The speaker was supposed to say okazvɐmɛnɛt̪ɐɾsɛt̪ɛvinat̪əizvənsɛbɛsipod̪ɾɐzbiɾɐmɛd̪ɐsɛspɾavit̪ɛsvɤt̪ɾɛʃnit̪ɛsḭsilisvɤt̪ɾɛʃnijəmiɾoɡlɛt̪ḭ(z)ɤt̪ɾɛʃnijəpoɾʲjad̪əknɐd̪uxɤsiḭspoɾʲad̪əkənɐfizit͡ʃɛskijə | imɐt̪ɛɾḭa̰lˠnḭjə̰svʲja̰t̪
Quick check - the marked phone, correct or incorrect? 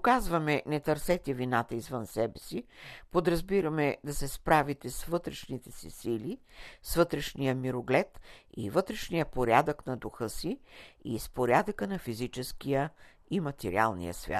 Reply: incorrect